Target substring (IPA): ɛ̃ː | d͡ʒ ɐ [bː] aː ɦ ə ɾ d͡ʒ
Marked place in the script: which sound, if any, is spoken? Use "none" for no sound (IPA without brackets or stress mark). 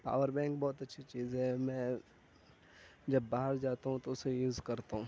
bː